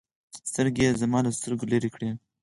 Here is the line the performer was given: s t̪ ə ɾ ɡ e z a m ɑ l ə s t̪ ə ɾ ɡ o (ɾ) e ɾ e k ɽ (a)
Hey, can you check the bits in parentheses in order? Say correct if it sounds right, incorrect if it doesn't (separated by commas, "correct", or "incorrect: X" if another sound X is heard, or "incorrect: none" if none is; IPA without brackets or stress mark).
incorrect: l, incorrect: e